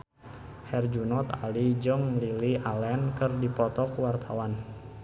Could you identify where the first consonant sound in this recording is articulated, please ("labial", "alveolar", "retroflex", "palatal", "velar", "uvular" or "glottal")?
glottal